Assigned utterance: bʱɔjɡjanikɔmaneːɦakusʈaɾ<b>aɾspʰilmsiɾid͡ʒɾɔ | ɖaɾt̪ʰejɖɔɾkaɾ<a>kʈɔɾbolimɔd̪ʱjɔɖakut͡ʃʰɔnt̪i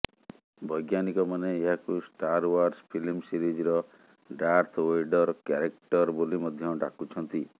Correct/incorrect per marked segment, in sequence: incorrect, incorrect

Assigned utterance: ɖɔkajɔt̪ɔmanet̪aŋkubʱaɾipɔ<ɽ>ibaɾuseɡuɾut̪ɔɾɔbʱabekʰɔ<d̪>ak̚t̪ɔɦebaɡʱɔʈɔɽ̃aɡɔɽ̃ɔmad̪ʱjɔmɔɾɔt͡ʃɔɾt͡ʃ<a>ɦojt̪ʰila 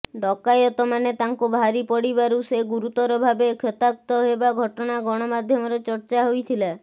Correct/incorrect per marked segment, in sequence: correct, incorrect, correct

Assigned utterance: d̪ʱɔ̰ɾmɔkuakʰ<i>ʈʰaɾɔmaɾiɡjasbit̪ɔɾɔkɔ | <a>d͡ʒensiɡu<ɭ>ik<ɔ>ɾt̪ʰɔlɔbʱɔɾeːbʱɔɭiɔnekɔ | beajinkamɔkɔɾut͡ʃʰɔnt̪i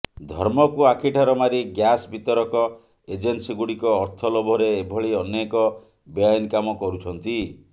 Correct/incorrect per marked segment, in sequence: correct, incorrect, incorrect, incorrect

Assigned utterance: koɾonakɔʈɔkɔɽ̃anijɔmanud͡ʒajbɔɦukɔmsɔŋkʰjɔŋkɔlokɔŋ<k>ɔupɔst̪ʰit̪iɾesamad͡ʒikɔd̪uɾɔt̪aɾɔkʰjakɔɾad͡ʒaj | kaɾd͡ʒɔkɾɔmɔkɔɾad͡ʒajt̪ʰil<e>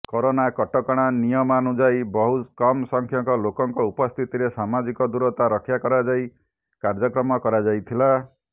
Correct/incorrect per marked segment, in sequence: correct, incorrect

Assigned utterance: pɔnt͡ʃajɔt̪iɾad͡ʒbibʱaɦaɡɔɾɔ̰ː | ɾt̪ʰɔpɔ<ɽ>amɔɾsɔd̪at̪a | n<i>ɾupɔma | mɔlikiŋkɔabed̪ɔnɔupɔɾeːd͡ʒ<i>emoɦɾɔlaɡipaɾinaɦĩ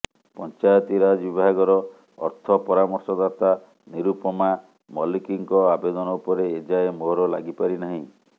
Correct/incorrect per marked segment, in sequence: incorrect, correct, incorrect

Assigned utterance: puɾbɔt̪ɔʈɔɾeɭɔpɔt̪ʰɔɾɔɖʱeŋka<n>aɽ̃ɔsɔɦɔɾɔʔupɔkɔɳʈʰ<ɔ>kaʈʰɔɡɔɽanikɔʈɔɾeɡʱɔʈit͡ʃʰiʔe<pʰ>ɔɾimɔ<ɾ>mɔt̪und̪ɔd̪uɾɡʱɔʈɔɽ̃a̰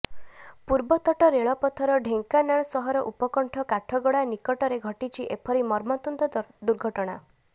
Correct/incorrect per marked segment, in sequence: correct, correct, correct, correct

